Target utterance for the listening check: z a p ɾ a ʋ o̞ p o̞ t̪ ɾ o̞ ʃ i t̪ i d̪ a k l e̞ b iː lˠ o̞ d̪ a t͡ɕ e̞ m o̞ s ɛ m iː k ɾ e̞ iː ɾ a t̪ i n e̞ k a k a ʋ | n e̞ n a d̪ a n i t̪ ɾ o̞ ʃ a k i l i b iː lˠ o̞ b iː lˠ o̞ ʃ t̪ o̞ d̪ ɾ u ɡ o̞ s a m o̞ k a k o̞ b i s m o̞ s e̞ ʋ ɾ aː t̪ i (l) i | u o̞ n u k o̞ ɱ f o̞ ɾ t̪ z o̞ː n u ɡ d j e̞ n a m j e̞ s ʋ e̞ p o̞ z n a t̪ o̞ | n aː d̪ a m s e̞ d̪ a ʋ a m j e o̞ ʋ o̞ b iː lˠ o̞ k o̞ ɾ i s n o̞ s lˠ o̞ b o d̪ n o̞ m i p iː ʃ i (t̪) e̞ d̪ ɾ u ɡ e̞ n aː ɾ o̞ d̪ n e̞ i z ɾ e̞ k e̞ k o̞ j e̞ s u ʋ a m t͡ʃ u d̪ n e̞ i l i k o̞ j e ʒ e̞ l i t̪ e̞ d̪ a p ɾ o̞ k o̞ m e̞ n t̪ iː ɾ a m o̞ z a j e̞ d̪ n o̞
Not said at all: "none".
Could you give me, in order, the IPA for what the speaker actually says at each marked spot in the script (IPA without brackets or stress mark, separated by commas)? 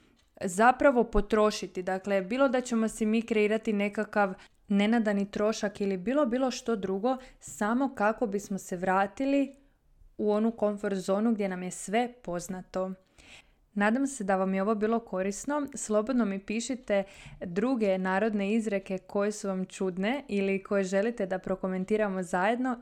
l, t̪